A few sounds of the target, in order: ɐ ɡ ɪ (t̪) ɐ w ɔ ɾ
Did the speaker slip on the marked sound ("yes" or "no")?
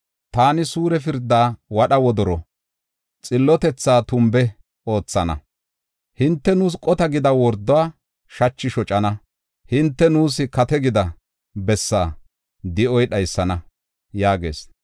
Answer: yes